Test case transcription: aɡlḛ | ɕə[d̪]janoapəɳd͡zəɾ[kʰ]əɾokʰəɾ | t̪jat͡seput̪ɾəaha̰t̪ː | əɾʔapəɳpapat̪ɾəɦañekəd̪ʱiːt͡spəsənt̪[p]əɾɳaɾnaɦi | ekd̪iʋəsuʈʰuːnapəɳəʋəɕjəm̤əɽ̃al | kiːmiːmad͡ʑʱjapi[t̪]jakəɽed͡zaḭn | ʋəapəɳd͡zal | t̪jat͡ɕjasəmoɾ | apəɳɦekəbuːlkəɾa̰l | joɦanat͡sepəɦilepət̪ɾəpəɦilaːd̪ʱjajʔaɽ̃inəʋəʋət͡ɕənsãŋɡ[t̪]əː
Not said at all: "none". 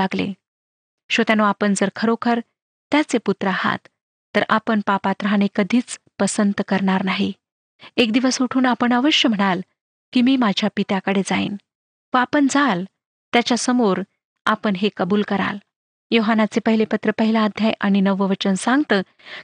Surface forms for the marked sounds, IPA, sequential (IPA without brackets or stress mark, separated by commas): t̪, kʰ, k, t̪, t̪